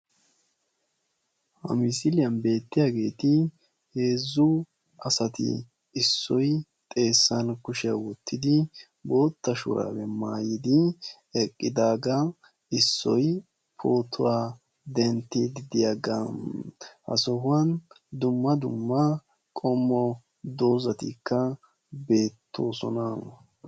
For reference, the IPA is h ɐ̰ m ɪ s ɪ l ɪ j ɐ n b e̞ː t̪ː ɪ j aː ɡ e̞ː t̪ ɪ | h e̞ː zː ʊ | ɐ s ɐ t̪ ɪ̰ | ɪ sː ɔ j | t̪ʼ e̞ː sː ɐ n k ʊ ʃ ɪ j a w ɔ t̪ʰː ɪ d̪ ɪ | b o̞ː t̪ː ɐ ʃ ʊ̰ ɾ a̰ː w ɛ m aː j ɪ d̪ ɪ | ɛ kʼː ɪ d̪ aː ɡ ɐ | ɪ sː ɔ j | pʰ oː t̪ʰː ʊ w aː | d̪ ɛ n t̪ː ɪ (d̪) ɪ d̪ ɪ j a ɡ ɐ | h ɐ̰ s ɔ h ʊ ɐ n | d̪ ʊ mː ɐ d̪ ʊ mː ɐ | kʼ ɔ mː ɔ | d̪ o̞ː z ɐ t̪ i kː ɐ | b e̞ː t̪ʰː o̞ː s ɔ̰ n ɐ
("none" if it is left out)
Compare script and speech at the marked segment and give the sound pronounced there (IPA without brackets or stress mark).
d̪